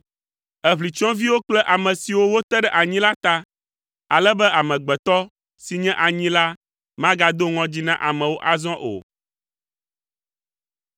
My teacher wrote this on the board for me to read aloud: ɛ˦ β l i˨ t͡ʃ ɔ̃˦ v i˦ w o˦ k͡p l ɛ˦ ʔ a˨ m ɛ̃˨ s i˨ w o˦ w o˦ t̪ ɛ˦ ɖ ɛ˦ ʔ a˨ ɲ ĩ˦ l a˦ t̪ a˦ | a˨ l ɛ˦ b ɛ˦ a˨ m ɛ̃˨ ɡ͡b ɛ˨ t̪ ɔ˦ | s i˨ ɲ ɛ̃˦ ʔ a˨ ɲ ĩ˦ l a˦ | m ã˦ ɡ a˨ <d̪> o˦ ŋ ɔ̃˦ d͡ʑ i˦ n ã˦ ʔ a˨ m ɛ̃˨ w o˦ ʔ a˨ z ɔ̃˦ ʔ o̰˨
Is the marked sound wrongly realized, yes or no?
no